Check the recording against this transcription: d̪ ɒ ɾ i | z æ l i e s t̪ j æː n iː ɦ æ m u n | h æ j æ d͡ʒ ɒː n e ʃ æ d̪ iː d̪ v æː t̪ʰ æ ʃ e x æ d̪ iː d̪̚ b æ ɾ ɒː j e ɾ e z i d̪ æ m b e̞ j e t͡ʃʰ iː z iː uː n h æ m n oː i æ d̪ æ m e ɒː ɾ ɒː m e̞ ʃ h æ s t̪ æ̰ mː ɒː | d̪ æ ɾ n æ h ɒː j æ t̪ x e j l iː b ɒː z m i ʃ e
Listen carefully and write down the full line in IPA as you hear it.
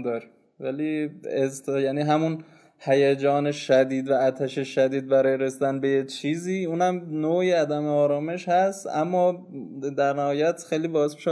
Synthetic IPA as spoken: d̪ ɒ ɾ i | v æ l i e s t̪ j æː n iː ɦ æ m u n | h æ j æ d͡ʒ ɒː n e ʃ æ d̪ iː d̪ v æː t̪ʰ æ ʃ e ʃ æ d̪ iː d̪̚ b æ ɾ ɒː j e ɾ e s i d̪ æ n b e̞ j e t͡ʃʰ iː z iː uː n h æ m n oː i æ d̪ æ m e ɒː ɾ ɒː m e̞ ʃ h æ s t̪ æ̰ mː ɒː | d̪ æ ɾ n æ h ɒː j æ t̪ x e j l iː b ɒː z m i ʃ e